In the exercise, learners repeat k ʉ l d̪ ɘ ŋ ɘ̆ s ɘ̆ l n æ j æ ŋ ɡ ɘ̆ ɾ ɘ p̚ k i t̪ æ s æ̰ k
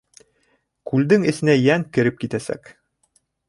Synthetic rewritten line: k ʉ l d̪ ɘ ŋ ɘ̆ s ɘ̆ n æ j æ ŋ k ɘ̆ ɾ ɘ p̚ k i t̪ æ s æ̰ k